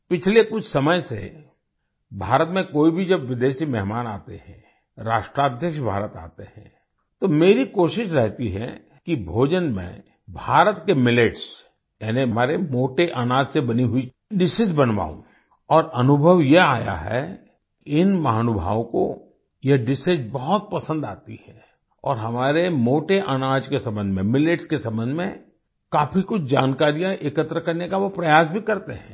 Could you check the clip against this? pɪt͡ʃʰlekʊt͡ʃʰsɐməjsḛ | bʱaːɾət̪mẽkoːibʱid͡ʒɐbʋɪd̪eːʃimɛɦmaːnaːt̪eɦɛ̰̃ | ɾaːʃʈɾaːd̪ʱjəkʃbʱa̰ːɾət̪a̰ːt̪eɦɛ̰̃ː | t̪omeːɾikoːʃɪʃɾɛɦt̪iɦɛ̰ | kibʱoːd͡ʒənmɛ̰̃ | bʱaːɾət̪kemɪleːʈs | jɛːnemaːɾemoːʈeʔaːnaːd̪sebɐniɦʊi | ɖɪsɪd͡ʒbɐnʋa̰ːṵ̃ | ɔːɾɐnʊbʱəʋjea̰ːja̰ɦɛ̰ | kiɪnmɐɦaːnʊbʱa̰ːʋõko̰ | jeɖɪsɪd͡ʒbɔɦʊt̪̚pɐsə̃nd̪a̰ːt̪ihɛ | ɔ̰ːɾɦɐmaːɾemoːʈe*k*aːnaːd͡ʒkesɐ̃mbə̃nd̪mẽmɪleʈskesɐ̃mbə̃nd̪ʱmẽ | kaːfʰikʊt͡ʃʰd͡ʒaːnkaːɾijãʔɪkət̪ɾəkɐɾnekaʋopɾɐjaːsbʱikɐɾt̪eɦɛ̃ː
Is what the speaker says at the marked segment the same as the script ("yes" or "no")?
no